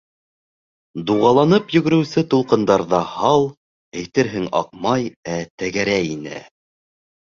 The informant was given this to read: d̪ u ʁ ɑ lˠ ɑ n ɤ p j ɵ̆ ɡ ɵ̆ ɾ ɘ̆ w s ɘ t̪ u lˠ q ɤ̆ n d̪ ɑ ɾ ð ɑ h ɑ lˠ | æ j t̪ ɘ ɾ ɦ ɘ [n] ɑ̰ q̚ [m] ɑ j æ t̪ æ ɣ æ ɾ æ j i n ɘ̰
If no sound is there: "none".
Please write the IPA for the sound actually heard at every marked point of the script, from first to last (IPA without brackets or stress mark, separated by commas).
ŋ, m